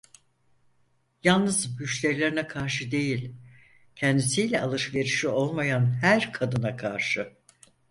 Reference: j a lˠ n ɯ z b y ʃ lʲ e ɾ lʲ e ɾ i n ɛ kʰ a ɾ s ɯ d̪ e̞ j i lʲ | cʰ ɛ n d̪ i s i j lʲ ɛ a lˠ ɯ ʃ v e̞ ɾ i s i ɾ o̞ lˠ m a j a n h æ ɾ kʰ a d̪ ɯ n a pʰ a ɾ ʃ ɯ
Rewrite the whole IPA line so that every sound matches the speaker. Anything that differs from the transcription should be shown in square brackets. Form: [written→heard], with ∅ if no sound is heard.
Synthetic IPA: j a lˠ n ɯ z b y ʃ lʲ e ɾ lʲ e ɾ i n ɛ kʰ a ɾ [s→ʃ] ɯ d̪ e̞ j i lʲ | cʰ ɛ n d̪ i s i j lʲ ɛ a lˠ ɯ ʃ v e̞ ɾ i [s→ʃ] i [ɾ→∅] o̞ lˠ m a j a n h æ ɾ kʰ a d̪ ɯ n a [pʰ→kʰ] a ɾ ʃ ɯ